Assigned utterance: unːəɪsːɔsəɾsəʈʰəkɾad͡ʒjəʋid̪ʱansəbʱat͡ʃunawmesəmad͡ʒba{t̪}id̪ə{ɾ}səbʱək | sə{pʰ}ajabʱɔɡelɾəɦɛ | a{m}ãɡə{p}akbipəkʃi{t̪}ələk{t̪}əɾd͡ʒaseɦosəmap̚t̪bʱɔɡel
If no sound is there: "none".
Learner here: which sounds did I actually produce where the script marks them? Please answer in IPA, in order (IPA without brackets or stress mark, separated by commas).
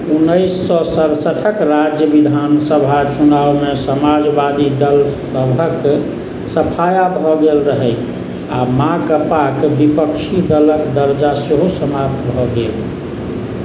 d̪, l, pʰ, m, p, d̪, d̪